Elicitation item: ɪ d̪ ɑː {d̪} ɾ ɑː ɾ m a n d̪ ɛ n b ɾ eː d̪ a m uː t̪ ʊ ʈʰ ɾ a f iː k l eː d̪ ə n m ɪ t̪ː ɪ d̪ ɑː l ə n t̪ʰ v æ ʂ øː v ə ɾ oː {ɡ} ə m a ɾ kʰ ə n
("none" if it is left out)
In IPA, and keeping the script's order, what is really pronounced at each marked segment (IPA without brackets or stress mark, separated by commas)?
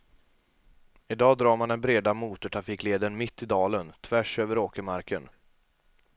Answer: d̪, k